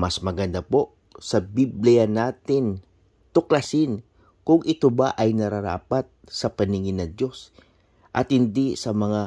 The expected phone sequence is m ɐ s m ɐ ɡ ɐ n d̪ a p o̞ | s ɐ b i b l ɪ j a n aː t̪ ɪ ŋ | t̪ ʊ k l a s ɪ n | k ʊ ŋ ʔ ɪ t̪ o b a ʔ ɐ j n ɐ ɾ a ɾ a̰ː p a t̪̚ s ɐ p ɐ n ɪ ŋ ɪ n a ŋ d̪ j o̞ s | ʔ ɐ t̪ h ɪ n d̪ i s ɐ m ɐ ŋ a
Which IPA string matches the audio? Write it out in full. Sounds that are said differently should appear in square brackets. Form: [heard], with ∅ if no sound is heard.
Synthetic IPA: m ɐ s m ɐ ɡ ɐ n d̪ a p o̞ | s ɐ b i b l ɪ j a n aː t̪ ɪ [n] | t̪ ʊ k l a s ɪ n | k ʊ ŋ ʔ ɪ t̪ o b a ʔ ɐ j n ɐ ɾ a ɾ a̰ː p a t̪̚ s ɐ p ɐ n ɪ ŋ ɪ n [ɐ] ŋ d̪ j o̞ s | ʔ ɐ t̪ h ɪ n d̪ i s ɐ m ɐ ŋ a